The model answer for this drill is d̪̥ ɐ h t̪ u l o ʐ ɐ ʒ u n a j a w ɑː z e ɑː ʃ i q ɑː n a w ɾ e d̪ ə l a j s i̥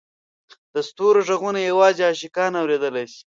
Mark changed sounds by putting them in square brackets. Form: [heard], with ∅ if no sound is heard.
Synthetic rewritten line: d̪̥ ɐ [s] t̪ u [ɾ] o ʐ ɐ [ɣ] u n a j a w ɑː z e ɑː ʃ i [k] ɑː n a w ɾ e d̪ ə l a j s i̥